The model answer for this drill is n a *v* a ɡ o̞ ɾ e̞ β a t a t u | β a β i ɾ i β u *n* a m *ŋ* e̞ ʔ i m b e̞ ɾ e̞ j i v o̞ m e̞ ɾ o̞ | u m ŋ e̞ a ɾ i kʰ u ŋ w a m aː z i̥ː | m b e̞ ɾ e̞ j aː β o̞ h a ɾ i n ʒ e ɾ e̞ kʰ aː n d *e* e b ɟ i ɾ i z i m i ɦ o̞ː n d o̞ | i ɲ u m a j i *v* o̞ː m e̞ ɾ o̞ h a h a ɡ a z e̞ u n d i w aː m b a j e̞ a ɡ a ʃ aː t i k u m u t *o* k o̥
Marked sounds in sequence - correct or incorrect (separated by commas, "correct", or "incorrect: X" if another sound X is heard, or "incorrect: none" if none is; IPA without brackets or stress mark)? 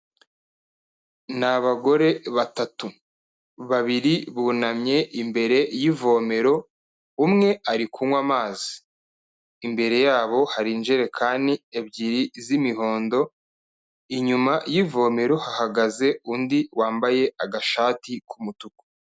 incorrect: β, correct, incorrect: ɲ, incorrect: i, correct, incorrect: u